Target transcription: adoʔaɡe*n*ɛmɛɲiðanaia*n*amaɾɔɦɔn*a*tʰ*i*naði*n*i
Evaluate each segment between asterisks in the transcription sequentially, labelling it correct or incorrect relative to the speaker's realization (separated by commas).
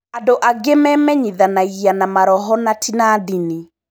incorrect, correct, correct, correct, correct